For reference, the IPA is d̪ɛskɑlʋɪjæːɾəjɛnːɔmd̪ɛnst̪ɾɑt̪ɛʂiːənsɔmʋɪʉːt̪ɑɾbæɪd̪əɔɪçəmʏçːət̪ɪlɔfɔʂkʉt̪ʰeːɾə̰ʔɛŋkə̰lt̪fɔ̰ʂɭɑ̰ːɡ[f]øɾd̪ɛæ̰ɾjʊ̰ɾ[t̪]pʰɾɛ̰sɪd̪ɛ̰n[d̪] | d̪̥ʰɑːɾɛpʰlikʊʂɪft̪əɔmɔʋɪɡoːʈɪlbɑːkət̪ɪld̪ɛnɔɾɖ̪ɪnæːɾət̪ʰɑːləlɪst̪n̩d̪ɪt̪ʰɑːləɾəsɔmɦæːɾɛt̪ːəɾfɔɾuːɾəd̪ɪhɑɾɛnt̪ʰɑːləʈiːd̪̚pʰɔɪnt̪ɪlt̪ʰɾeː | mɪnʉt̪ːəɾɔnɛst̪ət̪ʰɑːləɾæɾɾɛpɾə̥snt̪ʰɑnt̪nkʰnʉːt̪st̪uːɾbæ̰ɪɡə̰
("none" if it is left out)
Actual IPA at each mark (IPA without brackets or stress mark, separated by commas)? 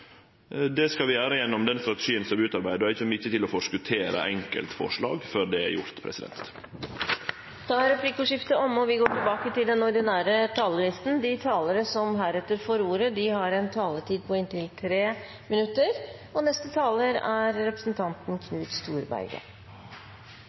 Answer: f, t̪, t̪